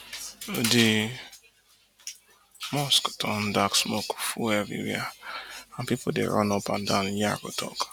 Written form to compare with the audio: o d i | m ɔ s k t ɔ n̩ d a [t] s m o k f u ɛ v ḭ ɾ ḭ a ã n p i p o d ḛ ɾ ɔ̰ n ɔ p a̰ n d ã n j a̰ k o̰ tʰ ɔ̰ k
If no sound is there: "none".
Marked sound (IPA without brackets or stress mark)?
k